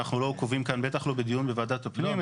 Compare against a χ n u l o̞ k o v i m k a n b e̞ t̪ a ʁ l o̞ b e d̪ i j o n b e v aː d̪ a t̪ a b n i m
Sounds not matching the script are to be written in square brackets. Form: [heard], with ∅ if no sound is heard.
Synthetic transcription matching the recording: a χ n u l o̞ k o v i m k a n b e̞ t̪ a [χ] l o̞ b e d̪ i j [u] n b e v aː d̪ a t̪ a [p] n i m